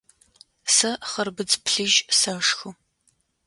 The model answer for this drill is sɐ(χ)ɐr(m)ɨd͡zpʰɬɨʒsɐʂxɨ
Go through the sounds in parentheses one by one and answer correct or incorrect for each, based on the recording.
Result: correct, incorrect: b

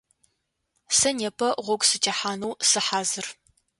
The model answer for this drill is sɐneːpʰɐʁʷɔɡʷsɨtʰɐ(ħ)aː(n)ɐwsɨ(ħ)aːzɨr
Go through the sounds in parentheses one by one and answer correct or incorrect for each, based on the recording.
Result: correct, correct, correct

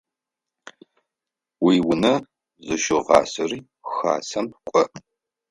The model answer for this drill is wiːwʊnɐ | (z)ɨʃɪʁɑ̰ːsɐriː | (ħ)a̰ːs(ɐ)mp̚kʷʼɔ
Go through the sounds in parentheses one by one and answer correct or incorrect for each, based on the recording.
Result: correct, incorrect: x, correct

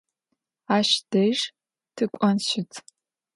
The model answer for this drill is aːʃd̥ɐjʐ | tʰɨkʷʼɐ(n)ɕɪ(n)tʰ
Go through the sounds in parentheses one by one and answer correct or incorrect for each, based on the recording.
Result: correct, incorrect: none

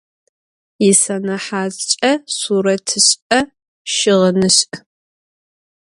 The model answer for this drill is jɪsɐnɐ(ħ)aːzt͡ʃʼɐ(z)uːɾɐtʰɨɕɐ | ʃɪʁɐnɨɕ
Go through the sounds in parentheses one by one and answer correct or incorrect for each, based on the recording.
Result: correct, incorrect: s

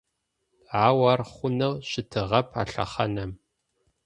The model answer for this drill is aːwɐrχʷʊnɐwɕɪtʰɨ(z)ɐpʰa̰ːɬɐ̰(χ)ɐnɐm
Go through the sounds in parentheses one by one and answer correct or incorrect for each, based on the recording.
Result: incorrect: ʁ, correct

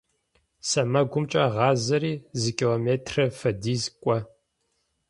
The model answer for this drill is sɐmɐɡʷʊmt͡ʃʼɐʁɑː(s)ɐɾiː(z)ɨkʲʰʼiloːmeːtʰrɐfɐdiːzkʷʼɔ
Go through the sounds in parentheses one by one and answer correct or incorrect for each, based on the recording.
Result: incorrect: z, correct

